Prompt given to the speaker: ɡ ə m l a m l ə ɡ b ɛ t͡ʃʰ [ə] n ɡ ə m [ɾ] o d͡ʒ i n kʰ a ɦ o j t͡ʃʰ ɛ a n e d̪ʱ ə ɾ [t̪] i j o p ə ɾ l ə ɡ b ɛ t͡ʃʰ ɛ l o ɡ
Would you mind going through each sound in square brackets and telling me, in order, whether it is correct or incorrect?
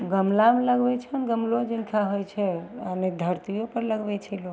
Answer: correct, incorrect: l, correct

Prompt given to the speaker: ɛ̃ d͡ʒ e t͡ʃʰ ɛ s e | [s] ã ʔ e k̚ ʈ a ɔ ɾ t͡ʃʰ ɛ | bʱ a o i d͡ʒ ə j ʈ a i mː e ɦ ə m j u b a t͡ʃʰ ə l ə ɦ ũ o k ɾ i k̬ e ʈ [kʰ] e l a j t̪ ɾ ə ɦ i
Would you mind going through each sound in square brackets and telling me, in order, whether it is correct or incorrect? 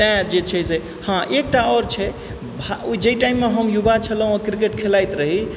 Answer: incorrect: h, correct

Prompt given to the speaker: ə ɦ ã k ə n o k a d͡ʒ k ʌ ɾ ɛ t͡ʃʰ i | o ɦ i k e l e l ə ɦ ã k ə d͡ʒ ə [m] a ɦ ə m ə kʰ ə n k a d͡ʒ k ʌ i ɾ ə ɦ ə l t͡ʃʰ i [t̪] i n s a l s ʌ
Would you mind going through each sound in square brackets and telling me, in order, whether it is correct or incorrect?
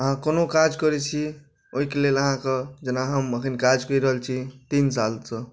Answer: incorrect: n, correct

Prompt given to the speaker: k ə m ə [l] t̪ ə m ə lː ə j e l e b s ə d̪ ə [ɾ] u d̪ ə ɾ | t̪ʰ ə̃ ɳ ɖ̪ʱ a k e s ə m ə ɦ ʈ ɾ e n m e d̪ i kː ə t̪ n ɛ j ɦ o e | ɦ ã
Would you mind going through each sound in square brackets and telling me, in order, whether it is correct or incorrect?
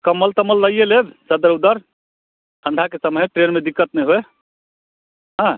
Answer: correct, correct

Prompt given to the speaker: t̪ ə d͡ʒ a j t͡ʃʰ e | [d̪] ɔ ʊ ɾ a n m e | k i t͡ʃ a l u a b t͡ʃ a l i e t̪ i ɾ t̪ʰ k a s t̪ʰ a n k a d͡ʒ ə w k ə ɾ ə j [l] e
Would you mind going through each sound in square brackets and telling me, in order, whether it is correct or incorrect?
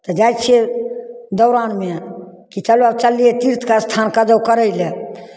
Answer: correct, correct

